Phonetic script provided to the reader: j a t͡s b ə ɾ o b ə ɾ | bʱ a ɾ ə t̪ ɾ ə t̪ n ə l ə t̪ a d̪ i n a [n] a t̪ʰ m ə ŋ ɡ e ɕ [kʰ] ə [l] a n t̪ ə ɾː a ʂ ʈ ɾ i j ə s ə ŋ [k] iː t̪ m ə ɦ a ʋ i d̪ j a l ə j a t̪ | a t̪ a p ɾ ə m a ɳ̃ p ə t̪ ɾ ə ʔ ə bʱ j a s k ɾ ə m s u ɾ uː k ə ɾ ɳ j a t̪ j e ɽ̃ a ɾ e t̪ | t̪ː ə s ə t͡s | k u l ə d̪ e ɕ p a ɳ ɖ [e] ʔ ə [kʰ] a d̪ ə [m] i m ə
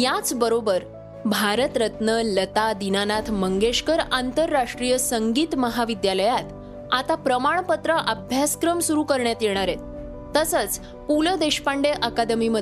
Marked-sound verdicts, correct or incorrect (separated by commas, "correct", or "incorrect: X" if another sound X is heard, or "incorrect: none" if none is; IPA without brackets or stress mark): correct, incorrect: k, incorrect: ɾ, incorrect: ɡ, correct, incorrect: k, correct